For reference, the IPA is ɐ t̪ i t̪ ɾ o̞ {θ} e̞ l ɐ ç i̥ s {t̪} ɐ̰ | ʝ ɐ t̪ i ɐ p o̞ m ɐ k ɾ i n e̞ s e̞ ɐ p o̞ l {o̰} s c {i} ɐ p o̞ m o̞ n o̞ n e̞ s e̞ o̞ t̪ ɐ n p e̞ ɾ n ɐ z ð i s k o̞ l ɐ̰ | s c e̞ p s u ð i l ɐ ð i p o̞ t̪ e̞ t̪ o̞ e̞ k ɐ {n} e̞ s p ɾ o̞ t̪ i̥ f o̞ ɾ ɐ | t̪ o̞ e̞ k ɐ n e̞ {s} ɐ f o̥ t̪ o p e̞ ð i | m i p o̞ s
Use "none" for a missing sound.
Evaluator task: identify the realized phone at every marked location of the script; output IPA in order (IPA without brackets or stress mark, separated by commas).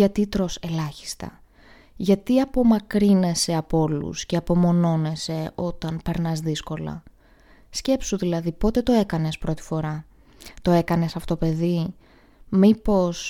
s, t̪, ṵ, e, n, s